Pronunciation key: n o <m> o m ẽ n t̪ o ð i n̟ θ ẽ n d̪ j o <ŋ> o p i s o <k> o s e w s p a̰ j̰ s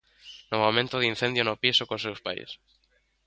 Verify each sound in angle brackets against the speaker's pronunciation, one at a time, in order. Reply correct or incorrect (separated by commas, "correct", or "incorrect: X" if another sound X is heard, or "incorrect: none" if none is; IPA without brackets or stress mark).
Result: correct, incorrect: n, correct